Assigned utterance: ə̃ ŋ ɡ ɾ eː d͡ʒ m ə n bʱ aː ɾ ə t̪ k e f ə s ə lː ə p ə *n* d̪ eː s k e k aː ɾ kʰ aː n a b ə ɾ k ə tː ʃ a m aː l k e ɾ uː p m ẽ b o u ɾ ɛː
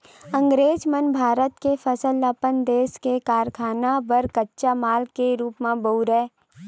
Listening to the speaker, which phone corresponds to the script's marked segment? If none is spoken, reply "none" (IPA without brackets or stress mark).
n